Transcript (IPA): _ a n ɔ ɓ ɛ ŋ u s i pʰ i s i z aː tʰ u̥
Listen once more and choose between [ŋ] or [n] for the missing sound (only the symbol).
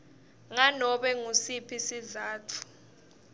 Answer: ŋ